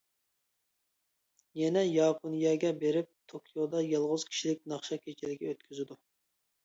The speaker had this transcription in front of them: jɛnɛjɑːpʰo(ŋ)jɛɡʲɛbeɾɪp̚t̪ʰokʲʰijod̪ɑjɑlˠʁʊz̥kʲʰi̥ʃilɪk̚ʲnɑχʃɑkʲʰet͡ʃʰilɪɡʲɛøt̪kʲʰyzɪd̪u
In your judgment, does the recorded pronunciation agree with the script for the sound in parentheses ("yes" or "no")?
no